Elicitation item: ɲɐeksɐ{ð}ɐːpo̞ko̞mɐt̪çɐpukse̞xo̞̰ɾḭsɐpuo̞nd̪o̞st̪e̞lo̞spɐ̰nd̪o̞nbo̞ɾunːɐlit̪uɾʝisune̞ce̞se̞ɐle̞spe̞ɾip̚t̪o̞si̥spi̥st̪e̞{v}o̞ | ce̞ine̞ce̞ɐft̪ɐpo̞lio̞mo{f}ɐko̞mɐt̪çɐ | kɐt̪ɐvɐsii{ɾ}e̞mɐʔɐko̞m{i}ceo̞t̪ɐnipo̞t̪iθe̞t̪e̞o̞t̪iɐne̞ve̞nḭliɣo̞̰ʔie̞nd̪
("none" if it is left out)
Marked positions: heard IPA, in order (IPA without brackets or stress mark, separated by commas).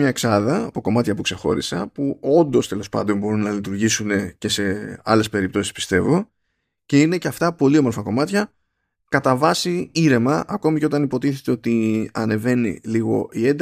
ð, v, f, ɾ, i